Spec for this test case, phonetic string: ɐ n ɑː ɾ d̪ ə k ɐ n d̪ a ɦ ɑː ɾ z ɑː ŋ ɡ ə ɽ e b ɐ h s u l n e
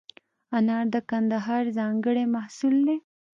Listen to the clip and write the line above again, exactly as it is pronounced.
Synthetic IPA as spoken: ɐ n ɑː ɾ d̪ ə k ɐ n d̪ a ɦ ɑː ɾ z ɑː ŋ ɡ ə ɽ e m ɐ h s u l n e